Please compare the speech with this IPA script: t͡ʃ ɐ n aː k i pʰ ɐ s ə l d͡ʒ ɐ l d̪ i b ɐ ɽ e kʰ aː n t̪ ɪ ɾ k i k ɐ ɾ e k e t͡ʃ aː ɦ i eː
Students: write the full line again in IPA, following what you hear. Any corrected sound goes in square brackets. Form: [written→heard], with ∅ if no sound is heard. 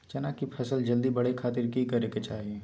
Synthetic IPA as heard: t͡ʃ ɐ n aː k i pʰ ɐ s ə l d͡ʒ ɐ l d̪ i b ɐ ɽ e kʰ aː [n→∅] t̪ ɪ ɾ k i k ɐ ɾ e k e t͡ʃ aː ɦ i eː